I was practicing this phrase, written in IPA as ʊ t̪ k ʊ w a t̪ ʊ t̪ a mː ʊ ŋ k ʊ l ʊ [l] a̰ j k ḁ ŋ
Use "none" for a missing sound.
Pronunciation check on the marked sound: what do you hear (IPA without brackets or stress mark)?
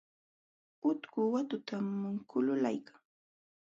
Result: l